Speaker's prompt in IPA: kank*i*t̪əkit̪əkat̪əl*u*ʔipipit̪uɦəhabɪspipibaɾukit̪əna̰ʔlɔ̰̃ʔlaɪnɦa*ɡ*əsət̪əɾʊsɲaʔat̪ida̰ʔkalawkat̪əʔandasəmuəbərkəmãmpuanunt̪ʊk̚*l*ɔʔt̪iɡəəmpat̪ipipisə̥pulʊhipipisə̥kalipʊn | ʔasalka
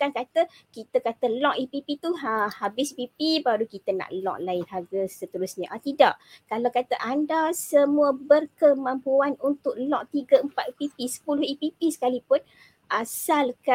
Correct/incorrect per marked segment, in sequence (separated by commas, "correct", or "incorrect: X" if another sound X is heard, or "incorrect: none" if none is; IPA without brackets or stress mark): incorrect: a, incorrect: ɔ, correct, correct